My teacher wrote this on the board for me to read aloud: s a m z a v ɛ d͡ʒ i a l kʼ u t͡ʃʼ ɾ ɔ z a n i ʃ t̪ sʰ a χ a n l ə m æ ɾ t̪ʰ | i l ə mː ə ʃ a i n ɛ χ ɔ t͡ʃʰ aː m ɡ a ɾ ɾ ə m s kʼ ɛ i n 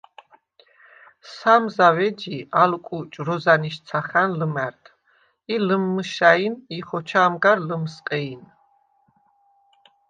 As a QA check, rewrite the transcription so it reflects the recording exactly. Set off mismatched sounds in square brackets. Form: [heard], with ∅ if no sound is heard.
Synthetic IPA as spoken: s a m z a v ɛ d͡ʒ i a l kʼ u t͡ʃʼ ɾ ɔ z a n i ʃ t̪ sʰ a χ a n l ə m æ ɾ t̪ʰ | i l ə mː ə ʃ a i n [i] χ ɔ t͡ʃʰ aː m ɡ a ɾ [l] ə m s [qʼ] ɛ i n